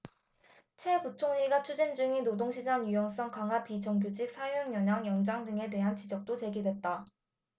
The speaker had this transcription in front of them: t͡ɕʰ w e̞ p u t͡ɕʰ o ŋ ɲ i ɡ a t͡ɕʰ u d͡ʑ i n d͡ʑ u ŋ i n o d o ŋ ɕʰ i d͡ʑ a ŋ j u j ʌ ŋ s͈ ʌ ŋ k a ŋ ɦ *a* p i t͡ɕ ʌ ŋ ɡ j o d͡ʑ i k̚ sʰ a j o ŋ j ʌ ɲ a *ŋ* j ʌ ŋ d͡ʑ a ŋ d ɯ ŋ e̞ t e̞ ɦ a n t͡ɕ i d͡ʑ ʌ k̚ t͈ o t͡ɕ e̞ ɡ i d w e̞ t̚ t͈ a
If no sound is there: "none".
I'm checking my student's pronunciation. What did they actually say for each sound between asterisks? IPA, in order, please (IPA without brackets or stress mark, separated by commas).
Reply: a, ŋ